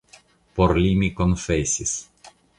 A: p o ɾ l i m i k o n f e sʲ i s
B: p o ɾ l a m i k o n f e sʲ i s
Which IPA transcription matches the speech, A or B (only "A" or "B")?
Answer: A